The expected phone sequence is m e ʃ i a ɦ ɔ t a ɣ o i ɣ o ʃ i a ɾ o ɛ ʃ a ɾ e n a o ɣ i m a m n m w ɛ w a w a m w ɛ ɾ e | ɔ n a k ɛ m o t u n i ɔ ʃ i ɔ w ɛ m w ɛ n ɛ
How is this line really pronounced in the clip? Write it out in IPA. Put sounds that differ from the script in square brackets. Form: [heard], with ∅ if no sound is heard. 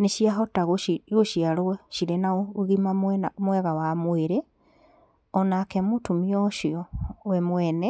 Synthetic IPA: [n] e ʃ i a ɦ ɔ t a ɣ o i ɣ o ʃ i a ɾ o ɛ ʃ [i] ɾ e n a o ɣ i m a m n m w ɛ [ɣ] a w a m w [e] ɾ e | ɔ n a k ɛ m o t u [m] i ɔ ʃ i ɔ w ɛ m w ɛ n ɛ